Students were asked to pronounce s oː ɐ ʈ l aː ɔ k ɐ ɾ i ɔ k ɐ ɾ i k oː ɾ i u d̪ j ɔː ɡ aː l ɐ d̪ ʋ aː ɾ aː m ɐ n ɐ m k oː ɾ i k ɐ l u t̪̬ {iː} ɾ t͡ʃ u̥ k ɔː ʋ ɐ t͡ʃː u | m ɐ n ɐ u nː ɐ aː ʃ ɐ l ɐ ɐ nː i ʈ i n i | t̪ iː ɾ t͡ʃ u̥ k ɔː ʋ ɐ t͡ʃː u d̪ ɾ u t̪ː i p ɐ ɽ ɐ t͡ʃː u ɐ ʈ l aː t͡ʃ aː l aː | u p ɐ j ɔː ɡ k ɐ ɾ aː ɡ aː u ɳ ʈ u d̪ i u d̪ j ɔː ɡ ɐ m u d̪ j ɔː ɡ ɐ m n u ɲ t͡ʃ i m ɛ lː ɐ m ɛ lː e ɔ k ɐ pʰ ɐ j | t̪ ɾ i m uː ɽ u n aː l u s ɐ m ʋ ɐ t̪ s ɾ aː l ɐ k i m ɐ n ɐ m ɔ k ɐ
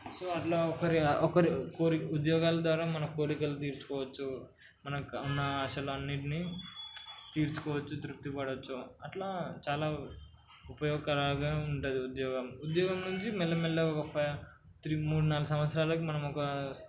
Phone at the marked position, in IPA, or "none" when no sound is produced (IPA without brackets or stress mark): iː